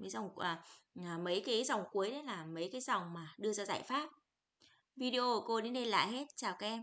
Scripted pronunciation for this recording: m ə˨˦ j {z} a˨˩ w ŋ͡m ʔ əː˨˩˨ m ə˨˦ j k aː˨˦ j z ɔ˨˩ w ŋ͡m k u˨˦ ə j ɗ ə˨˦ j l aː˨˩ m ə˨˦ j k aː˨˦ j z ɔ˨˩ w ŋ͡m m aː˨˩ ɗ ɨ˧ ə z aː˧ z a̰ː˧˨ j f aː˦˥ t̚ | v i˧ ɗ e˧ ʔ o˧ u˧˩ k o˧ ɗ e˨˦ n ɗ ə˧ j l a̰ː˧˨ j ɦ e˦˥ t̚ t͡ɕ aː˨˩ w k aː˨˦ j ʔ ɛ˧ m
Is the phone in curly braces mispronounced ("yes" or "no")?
no